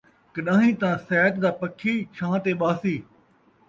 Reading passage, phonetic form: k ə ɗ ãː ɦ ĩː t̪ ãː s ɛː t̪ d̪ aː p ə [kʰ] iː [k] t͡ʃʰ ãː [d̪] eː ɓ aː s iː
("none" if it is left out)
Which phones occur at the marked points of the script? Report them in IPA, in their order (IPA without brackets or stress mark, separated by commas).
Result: kʰ, none, t̪